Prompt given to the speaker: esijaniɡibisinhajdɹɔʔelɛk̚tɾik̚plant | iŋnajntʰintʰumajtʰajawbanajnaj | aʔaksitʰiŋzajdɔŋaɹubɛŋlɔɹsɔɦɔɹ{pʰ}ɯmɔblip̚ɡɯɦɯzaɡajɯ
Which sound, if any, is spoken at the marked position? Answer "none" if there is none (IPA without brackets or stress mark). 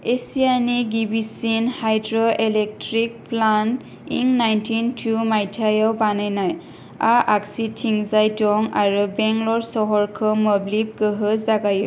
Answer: kʰ